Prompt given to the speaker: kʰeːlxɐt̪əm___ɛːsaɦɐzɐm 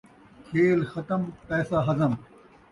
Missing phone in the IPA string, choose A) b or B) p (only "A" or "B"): B